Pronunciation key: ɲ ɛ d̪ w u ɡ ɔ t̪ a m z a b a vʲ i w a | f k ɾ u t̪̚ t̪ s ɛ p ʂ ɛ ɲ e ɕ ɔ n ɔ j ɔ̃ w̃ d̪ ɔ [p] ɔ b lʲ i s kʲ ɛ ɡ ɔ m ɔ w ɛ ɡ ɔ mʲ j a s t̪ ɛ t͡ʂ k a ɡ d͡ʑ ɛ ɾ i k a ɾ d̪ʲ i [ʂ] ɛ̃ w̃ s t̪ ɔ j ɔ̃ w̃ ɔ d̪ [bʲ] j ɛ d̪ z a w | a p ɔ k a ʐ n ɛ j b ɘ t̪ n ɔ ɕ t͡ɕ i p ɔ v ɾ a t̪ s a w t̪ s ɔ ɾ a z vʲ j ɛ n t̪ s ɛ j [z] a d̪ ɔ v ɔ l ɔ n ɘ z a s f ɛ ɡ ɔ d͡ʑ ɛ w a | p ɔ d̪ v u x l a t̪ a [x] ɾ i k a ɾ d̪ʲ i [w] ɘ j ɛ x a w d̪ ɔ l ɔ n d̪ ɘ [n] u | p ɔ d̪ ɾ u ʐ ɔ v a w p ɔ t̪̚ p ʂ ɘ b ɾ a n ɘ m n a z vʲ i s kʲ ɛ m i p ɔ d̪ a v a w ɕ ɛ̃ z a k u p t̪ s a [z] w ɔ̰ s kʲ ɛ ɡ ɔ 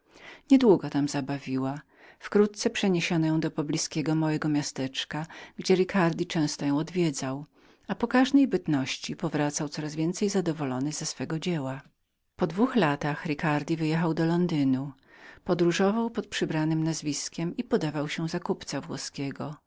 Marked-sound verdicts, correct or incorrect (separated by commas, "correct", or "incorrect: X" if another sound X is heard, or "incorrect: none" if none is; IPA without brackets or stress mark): correct, incorrect: t͡ʂ, incorrect: vʲ, correct, correct, incorrect: v, correct, incorrect: v